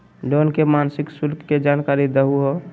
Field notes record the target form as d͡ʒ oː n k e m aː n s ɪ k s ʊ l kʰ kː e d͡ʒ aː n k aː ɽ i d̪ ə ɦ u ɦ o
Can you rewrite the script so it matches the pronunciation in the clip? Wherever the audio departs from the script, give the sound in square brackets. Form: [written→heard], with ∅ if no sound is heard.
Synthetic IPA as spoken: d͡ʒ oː n k e m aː n s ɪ k s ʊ l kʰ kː e d͡ʒ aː n k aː [ɽ→ɾ] i d̪ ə ɦ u ɦ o